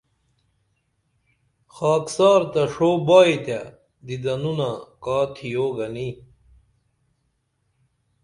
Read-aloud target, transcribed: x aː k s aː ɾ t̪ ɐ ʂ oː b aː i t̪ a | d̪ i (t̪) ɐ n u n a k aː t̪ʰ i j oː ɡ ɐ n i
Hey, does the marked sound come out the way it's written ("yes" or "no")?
no